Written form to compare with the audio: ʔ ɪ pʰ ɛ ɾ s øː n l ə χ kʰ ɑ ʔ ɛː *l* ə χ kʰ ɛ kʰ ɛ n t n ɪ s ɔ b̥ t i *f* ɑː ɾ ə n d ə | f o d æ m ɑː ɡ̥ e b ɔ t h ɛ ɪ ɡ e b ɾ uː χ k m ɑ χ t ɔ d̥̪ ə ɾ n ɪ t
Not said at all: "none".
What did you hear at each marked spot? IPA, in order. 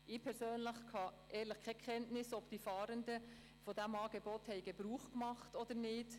l, f

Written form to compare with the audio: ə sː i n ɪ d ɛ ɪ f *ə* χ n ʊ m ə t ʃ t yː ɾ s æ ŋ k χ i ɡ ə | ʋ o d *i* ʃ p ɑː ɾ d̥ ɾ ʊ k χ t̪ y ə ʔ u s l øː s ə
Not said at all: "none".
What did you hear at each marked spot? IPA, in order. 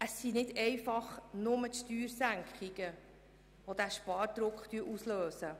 ɑ, æ

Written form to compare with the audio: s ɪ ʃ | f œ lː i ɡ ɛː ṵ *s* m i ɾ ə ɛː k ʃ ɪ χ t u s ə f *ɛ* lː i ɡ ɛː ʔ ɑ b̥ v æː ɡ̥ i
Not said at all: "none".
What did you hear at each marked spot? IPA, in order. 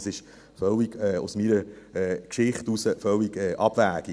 s, œ

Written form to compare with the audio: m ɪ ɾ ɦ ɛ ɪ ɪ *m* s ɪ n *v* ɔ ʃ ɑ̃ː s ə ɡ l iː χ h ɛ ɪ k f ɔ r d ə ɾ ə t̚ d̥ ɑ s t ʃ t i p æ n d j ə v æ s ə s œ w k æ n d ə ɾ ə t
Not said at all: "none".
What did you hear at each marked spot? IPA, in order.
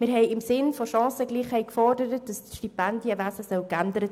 m, f

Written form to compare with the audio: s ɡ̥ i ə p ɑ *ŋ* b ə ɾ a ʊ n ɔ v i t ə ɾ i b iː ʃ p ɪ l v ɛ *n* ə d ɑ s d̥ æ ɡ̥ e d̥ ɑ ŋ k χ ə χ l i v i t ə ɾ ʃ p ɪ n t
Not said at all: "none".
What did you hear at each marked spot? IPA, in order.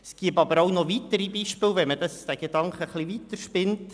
none, m

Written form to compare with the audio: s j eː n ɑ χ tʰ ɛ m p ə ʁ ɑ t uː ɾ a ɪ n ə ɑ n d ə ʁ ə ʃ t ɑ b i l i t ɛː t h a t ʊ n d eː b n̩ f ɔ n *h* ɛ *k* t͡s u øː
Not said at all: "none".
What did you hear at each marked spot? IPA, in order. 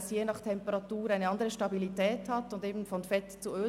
f, t

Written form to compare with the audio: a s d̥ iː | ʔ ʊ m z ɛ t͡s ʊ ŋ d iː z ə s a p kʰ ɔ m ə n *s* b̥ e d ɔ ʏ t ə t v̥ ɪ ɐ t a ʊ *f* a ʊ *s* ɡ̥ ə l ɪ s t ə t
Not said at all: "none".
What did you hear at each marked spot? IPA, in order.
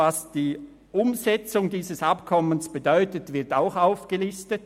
s, x, f

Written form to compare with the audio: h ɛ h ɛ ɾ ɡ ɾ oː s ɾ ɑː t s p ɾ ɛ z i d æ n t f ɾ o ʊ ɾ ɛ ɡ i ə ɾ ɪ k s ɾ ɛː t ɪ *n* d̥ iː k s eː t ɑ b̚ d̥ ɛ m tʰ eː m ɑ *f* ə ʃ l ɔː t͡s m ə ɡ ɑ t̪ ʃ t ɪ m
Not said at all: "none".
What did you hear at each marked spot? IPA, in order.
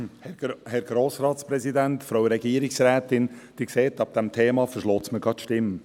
n, f

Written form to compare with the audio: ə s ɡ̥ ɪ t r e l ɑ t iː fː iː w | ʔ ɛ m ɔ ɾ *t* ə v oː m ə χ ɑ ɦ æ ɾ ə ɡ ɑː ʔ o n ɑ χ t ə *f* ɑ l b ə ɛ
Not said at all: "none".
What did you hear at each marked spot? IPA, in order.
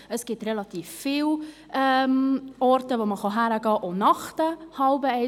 t, h

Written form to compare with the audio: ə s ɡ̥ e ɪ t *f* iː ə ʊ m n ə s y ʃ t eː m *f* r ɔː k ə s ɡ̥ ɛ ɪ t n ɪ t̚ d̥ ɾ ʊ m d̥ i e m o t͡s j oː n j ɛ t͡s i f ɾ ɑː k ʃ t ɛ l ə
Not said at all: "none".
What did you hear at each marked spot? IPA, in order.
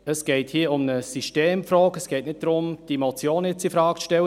h, f

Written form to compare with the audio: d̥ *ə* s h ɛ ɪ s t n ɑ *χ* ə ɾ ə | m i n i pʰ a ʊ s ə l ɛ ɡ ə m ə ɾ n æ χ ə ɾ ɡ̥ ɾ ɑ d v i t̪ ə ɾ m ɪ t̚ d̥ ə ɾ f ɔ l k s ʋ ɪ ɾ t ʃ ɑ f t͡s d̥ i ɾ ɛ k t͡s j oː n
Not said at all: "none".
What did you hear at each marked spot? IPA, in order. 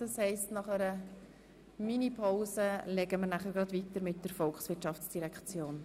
ɑ, χ

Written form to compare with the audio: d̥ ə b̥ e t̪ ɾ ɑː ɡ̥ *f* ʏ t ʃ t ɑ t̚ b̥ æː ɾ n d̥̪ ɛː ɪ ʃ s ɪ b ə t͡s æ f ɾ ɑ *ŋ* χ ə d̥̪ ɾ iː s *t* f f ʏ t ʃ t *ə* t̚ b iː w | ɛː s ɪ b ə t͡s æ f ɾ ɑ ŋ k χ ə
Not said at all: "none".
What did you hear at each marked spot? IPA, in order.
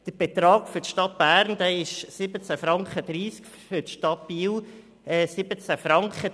f, ŋ, k, ɑ

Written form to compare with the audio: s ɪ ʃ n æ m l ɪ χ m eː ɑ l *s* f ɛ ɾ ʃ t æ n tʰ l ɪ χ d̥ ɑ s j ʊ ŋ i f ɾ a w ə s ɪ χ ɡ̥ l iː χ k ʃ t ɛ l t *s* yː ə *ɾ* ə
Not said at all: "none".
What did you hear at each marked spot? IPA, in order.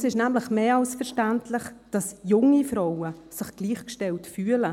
s, f, l

